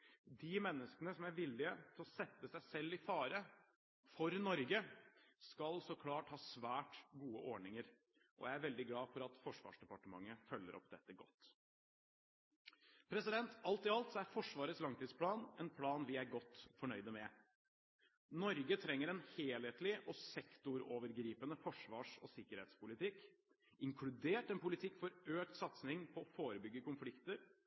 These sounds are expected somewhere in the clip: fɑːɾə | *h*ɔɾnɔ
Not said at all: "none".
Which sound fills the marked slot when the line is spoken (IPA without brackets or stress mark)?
f